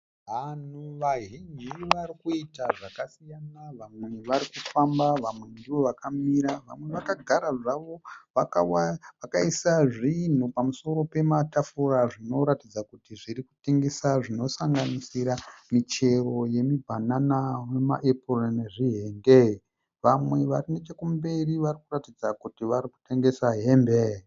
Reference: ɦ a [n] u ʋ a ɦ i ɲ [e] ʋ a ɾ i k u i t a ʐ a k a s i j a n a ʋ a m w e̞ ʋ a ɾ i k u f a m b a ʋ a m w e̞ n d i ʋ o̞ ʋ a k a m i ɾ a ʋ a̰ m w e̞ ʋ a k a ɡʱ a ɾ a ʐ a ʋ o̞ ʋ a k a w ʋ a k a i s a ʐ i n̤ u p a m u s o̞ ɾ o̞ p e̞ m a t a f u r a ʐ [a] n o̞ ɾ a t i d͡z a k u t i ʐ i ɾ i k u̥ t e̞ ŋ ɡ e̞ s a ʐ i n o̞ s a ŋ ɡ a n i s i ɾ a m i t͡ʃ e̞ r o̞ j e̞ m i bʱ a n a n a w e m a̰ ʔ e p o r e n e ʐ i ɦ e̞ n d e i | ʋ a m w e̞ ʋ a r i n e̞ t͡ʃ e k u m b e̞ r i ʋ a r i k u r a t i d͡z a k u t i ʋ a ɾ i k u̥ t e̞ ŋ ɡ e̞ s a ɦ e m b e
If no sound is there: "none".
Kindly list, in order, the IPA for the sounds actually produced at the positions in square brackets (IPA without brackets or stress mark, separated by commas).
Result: n, i, i